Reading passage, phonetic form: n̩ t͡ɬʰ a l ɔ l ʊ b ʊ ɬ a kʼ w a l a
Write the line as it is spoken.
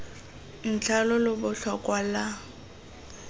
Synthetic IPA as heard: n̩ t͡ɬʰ a l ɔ l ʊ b ʊ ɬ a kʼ w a l a